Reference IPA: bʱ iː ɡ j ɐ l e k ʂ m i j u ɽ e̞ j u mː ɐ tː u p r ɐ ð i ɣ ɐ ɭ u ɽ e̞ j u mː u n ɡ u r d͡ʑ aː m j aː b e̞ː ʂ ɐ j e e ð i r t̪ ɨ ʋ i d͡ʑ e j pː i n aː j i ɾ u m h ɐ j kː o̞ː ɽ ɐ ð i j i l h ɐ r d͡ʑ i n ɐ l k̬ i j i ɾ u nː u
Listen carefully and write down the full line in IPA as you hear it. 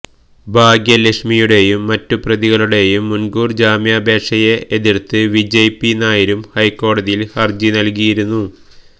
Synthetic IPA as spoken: bʱ aː ɡ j ɐ l e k ʂ m i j u ɽ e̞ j u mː ɐ tː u p r ɐ ð i ɣ ɐ ɭ u ɽ e̞ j u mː u n ɡ uː r d͡ʑ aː m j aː b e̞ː ʂ ɐ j e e ð i r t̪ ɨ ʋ i d͡ʑ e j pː i n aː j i ɾ u m h ɐ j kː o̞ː ɽ ɐ ð i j i l h ɐ r d͡ʑ i n ɐ l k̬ i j i ɾ u nː u